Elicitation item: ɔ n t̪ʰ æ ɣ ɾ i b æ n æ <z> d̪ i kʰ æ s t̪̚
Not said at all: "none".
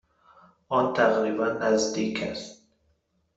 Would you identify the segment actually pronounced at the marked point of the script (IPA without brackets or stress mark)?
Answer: z